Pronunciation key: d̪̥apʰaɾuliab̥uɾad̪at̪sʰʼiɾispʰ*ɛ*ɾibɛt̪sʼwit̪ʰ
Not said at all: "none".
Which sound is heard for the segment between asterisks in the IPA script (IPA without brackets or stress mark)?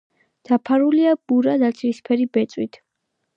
ɛ